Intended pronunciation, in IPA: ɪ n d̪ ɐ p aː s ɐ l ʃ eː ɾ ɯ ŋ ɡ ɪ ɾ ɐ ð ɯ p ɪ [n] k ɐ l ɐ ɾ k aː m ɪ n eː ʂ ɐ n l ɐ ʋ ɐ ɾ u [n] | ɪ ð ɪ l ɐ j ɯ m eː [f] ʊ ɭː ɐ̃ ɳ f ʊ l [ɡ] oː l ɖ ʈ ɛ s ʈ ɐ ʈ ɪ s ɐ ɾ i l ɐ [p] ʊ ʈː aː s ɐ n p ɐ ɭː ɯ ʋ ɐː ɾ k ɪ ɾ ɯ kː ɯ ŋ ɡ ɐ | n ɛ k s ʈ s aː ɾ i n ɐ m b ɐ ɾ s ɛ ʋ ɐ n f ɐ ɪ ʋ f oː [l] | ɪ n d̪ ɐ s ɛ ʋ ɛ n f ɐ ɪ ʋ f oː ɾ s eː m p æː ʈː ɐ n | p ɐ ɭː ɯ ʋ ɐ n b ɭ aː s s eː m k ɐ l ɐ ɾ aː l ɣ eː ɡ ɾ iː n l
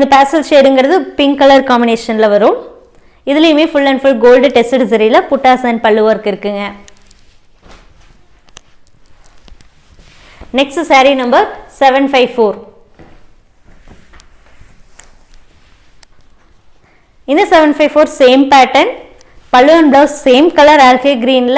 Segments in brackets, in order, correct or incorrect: incorrect: ŋ, incorrect: m, correct, correct, correct, incorrect: ɾ

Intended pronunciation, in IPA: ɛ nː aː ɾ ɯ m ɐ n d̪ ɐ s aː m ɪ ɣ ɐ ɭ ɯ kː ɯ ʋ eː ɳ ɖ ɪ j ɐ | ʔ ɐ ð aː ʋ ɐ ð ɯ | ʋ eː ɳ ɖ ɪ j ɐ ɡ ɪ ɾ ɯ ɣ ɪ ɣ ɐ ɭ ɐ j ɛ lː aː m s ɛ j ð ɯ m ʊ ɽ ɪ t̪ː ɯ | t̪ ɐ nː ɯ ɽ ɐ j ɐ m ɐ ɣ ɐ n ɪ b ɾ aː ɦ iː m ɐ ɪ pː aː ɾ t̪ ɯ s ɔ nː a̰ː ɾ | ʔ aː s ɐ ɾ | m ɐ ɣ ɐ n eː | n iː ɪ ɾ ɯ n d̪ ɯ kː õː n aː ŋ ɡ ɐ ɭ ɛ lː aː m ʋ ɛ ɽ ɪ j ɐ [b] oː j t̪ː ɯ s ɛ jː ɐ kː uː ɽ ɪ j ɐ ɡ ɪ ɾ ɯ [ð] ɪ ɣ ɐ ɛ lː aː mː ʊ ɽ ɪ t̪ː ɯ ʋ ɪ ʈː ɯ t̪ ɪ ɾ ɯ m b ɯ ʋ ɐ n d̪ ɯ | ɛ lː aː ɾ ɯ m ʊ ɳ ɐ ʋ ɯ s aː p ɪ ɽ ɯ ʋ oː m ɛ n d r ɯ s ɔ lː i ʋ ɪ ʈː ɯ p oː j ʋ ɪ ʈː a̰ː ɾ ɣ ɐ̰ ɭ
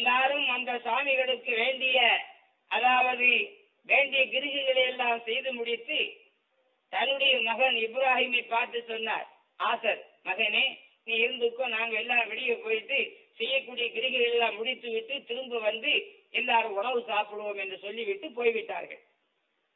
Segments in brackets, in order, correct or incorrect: incorrect: p, incorrect: ɣ

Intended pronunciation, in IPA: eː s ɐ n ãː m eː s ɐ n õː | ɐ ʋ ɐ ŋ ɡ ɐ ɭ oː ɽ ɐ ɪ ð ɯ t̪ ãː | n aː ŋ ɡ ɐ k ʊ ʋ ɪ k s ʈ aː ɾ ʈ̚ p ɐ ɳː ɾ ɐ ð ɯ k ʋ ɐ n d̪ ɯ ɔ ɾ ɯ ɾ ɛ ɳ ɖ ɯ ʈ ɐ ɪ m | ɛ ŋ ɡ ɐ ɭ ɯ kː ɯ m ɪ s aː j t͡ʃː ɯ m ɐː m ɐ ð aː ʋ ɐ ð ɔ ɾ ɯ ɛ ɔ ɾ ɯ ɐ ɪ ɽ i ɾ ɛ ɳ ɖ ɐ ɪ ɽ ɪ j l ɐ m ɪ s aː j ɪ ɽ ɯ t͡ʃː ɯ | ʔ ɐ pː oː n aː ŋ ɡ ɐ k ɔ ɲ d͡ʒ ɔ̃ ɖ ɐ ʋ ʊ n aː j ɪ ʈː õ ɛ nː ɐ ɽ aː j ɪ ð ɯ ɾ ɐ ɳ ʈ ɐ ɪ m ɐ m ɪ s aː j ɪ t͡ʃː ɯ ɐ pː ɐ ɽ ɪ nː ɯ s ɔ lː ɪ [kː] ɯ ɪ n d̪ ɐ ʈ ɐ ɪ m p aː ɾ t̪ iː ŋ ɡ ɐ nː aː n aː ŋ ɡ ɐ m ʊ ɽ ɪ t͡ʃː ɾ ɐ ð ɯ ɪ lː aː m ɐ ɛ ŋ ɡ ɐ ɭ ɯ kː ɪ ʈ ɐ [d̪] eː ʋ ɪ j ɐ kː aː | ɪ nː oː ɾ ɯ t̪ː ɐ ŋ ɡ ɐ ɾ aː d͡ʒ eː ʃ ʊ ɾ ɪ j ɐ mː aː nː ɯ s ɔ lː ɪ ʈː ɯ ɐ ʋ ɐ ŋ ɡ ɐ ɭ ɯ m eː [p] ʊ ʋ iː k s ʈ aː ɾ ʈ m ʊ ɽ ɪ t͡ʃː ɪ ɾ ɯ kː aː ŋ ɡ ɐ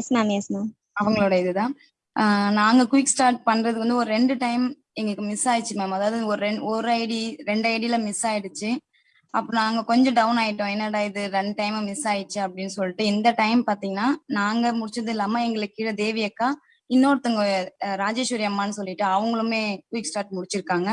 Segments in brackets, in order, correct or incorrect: incorrect: ʈː, correct, incorrect: k

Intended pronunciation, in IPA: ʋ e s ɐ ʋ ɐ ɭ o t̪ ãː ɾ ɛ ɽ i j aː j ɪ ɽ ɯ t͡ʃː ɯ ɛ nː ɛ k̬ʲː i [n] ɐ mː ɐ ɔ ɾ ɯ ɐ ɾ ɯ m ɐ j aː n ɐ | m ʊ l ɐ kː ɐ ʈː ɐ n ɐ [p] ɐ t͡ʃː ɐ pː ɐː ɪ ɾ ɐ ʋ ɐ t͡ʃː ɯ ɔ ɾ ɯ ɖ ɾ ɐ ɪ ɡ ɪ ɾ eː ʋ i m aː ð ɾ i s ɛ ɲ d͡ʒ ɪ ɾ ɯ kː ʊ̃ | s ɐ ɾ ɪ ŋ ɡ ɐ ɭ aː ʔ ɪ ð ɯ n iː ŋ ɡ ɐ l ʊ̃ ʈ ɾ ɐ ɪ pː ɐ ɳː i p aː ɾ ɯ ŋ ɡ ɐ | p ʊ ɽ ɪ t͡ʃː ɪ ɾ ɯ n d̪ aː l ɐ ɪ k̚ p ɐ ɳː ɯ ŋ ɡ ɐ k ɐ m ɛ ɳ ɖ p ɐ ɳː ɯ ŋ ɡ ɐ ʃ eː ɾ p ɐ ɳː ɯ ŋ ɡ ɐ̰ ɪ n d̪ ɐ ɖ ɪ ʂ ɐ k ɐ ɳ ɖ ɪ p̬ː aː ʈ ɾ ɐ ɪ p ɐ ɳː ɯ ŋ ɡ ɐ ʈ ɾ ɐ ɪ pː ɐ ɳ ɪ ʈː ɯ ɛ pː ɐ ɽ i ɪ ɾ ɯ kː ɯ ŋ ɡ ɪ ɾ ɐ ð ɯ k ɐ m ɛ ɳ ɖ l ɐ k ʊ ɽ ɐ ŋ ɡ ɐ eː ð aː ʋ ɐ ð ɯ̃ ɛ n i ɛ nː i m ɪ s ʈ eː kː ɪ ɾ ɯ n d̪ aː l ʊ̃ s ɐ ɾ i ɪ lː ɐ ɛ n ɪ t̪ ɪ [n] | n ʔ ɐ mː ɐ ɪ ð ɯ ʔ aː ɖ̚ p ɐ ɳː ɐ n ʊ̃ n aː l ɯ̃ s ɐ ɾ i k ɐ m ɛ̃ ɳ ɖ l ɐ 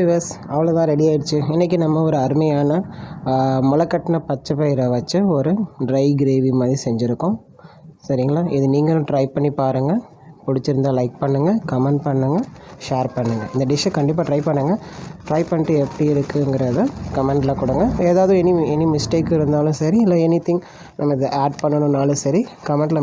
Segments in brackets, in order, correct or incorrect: correct, correct, incorrect: ŋ

